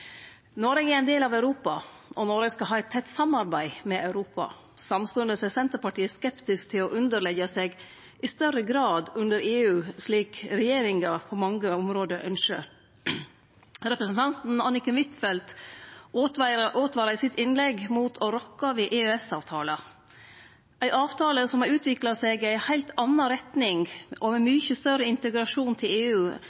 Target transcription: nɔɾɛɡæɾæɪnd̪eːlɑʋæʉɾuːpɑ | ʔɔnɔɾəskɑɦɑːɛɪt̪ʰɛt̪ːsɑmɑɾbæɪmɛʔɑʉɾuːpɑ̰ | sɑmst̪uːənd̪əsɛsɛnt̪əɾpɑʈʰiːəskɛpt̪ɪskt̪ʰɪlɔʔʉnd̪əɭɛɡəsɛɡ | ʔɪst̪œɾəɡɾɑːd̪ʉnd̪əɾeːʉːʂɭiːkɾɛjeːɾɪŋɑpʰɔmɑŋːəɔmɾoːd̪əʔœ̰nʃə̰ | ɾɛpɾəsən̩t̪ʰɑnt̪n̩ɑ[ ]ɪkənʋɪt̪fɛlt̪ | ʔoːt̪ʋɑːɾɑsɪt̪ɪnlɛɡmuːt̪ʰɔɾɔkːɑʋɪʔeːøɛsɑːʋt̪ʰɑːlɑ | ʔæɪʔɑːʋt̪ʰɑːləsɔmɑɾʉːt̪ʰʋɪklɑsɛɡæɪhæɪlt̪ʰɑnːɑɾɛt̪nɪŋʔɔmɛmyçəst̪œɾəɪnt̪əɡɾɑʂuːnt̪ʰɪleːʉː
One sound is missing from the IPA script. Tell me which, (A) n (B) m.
A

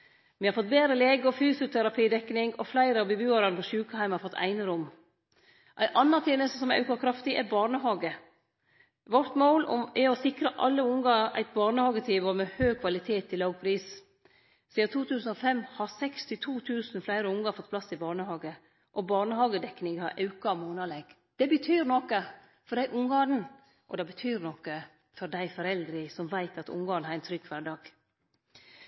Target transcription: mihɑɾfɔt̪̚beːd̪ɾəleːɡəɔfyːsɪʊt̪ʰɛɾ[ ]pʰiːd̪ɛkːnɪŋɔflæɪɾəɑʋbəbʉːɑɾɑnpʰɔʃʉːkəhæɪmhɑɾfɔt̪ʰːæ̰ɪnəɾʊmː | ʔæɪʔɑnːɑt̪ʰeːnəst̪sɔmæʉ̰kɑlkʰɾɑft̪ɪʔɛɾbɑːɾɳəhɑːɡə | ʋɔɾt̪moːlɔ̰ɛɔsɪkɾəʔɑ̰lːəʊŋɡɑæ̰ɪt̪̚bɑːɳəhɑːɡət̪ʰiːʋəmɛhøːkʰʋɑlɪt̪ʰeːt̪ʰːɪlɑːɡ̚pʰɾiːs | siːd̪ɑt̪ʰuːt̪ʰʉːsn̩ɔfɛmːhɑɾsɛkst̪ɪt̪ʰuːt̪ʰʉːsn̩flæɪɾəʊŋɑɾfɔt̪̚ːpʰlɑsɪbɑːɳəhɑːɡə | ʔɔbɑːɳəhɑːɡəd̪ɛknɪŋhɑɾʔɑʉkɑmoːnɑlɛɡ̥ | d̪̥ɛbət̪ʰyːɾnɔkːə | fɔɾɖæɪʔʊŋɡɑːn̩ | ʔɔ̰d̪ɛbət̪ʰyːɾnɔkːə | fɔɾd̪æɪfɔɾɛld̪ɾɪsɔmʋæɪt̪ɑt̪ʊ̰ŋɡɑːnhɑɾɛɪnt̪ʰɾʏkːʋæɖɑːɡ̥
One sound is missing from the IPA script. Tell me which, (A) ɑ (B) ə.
A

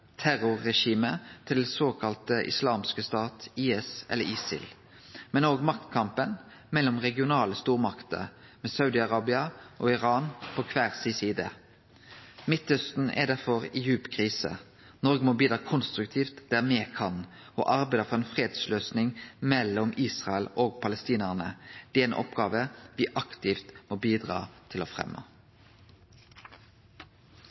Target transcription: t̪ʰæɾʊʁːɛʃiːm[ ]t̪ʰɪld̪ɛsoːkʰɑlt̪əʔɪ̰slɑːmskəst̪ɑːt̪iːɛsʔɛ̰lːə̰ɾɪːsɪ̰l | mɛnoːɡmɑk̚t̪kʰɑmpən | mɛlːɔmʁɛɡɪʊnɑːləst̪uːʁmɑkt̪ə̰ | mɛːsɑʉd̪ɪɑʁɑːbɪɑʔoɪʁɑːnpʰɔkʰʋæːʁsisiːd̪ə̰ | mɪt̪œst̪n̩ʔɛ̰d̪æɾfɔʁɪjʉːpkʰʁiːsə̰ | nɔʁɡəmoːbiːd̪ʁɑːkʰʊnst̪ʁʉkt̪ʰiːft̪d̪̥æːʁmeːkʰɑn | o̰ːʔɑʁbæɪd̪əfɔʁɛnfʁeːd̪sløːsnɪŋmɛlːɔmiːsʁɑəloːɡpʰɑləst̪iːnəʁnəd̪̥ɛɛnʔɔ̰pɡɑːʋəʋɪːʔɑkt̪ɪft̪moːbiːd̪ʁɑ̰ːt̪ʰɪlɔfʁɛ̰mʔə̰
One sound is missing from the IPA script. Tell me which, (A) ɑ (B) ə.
B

